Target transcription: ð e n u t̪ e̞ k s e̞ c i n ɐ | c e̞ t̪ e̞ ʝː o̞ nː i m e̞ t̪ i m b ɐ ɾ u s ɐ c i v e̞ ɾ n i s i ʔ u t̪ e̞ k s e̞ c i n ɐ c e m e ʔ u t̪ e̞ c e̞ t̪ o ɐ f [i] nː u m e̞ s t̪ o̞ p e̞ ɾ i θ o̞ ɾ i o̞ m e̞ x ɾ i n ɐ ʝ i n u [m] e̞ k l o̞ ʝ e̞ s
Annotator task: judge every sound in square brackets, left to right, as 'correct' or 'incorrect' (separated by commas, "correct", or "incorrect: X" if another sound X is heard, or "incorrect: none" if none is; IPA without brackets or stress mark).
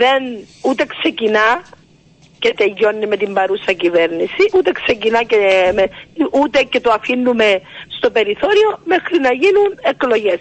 correct, incorrect: n